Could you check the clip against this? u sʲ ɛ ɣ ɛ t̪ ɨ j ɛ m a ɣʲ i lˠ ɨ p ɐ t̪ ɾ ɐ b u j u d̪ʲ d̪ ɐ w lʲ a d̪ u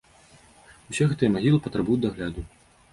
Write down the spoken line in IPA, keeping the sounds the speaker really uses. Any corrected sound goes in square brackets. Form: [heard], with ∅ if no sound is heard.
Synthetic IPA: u sʲ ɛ ɣ ɛ t̪ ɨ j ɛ m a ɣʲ i lˠ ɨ p ɐ t̪ ɾ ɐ b u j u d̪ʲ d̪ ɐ [ɣ] lʲ a d̪ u